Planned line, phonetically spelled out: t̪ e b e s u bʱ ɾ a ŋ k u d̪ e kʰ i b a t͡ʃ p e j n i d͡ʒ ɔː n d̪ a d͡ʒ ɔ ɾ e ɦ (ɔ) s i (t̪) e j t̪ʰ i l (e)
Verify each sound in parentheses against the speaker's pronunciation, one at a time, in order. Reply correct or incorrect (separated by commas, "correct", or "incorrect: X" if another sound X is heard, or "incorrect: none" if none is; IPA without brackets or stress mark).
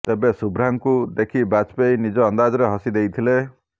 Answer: correct, incorrect: d̪, correct